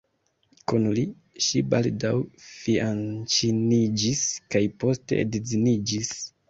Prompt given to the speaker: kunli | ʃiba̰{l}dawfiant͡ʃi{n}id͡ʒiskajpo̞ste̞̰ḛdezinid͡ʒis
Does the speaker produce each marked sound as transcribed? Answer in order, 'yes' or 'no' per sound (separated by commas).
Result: yes, yes